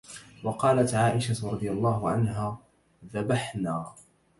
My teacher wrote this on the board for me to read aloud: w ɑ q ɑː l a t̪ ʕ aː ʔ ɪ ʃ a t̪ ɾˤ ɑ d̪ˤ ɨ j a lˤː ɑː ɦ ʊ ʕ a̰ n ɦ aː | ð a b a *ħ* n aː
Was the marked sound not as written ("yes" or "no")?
no